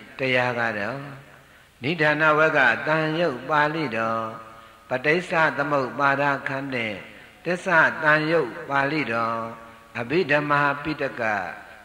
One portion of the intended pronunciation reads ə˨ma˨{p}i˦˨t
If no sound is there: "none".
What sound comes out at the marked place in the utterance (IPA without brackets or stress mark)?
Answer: p